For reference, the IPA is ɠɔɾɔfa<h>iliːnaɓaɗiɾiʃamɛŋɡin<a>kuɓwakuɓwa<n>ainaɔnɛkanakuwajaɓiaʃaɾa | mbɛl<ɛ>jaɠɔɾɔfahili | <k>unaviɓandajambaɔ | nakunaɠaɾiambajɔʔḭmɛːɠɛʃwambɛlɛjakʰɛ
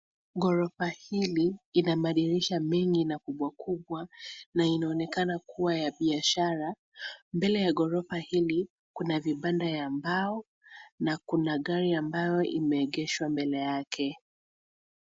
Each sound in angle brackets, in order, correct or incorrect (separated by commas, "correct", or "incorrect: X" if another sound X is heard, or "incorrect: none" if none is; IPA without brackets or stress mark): correct, correct, correct, correct, correct